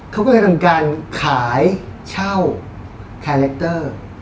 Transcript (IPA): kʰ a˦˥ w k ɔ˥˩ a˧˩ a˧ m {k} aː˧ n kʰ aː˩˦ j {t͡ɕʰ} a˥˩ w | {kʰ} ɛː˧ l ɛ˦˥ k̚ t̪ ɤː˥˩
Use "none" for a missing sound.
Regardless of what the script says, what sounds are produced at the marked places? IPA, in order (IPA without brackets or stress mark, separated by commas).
k, t͡ɕʰ, kʰ